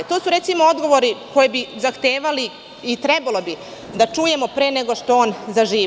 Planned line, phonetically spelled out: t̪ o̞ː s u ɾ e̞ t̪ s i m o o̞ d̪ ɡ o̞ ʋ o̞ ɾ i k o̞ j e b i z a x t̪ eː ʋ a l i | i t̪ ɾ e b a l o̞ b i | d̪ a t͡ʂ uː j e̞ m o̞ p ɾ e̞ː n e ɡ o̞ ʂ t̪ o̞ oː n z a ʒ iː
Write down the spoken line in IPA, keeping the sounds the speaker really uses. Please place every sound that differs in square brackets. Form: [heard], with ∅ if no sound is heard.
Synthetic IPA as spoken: t̪ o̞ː s u ɾ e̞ t̪ s i m o o̞ d̪ ɡ o̞ ʋ o̞ ɾ i k o̞ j e b i z a x t̪ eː ʋ a l i | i t̪ ɾ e b a l o̞ b i | d̪ a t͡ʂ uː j e̞ m o̞ p ɾ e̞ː n e ɡ o̞ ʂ t̪ o̞ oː n z a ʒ iː